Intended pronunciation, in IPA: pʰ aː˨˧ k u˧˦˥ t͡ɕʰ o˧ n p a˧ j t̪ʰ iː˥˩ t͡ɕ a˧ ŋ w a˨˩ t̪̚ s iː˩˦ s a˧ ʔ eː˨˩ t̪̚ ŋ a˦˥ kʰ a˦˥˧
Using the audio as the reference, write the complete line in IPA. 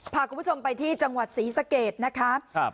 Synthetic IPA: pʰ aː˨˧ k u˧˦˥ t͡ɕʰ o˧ m p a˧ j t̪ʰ iː˥˩ t͡ɕ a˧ ŋ w a˨˩ t̪̚ s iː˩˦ s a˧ k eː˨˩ t̪̚ n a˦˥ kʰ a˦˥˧